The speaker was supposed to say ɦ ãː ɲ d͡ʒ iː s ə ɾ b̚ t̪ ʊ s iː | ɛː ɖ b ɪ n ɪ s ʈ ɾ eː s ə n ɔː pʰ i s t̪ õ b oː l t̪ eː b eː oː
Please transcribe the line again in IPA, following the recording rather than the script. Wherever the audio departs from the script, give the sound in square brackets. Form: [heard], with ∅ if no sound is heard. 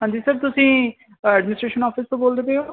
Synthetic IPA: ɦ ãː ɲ d͡ʒ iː s ə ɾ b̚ t̪ ʊ s [ĩː] | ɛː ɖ [m] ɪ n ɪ s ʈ ɾ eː [ʃ] ə n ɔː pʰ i s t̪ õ b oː l [d̪] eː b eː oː